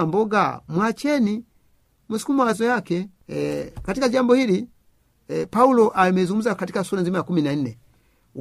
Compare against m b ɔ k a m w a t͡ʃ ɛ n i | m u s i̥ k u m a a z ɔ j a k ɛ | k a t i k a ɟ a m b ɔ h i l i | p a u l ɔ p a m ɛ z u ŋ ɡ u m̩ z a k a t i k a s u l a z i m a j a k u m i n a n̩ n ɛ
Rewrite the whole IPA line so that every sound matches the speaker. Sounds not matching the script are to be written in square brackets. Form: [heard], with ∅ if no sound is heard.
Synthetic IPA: m b ɔ [ɡ] a m w a t͡ʃ ɛ n i | m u s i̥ k u m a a z ɔ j a k ɛ | k a t i k a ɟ a m b ɔ h i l i | p a u l ɔ [ʔ] a m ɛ z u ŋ ɡ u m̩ z a k a t i k a s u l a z i m a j a k u m i n a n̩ n ɛ